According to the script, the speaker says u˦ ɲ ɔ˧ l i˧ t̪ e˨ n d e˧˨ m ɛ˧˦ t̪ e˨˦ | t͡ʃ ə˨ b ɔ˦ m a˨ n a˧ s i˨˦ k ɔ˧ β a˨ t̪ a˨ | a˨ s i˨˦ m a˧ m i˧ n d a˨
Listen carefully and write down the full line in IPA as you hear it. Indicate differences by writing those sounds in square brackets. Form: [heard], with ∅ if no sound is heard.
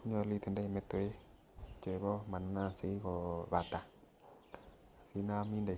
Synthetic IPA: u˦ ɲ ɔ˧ l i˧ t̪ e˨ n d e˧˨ m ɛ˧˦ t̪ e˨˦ | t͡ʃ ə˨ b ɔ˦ m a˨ n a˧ s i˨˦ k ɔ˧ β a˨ t̪ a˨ | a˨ s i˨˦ [n] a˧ m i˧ n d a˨